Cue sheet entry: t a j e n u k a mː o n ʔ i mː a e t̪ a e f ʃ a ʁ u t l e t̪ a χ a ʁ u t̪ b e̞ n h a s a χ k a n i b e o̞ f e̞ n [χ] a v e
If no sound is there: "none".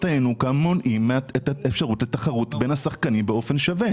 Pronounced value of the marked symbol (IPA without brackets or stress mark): ʃ